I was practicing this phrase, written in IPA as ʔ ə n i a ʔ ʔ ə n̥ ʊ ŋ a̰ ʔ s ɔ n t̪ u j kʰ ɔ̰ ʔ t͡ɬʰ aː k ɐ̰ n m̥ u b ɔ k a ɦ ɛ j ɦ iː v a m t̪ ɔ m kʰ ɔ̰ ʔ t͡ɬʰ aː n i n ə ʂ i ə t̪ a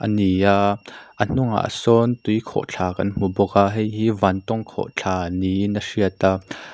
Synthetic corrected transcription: ʔ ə n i a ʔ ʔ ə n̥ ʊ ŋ a̰ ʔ s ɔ n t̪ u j kʰ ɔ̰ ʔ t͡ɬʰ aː k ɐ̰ n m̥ u b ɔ k a ɦ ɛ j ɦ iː v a n t̪ ɔ ŋ kʰ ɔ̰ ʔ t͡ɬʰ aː n i n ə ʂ i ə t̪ a